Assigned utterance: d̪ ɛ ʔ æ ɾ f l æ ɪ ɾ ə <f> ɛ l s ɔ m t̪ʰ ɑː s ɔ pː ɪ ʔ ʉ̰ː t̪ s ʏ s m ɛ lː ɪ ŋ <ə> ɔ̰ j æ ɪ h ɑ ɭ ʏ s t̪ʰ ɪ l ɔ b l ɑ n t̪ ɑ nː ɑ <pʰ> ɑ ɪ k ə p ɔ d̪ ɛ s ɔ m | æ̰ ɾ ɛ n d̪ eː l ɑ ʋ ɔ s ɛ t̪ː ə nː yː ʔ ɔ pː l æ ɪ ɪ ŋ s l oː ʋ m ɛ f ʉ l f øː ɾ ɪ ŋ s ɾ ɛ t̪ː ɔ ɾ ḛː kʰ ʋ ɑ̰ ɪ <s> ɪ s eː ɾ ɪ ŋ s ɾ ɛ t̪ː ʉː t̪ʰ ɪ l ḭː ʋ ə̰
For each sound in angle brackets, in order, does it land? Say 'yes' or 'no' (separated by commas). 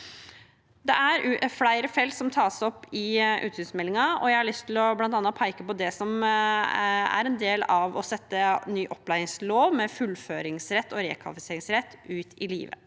yes, no, yes, no